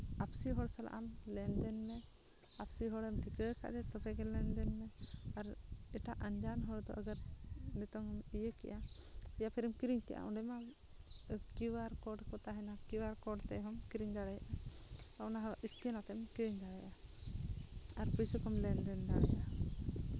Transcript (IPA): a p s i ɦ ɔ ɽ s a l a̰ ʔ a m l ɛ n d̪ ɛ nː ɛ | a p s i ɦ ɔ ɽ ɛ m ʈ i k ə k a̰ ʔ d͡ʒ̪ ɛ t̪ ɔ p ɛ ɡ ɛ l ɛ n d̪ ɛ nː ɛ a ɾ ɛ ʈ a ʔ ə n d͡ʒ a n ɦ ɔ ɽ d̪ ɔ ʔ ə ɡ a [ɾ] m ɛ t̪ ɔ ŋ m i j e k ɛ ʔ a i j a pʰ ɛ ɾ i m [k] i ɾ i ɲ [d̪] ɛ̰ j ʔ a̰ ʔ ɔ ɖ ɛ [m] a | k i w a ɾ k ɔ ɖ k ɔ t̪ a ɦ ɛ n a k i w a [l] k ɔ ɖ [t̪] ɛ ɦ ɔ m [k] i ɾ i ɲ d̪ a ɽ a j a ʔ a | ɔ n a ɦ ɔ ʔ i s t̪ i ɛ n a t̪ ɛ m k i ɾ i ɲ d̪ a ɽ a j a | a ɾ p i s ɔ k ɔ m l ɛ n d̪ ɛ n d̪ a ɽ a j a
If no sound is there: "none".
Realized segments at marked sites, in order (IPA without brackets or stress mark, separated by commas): ɾ, k, t̪, m, ɾ, t̪, k